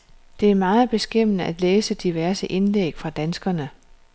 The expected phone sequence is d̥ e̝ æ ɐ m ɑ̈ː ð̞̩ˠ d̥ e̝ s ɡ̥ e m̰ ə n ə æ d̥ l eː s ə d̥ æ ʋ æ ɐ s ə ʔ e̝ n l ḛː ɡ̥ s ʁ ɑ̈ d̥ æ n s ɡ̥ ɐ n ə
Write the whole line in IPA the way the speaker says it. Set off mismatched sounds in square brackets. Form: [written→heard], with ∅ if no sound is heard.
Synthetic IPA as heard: d̥ e̝ æ ɐ m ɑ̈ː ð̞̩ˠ [d̥→b̥] e̝ s ɡ̥ e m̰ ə n ə æ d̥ l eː s ə d̥ [æ→i] ʋ æ ɐ s ə ʔ e̝ n l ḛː ɡ̥ [s→f] ʁ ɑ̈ d̥ æ n s ɡ̥ ɐ n ə